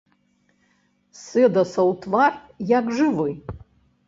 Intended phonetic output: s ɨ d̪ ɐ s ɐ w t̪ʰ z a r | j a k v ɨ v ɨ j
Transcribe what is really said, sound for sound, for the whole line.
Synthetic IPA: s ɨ d̪ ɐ s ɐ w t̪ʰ v a r | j a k ʐ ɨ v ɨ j